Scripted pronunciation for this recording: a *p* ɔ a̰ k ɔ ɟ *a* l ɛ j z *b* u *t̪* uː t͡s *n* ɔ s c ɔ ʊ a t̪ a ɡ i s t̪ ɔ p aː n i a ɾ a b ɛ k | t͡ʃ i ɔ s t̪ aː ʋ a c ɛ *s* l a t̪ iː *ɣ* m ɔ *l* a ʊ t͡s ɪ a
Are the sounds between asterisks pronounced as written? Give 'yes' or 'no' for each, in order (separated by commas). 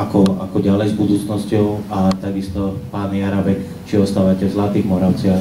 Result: no, yes, yes, no, yes, no, yes, no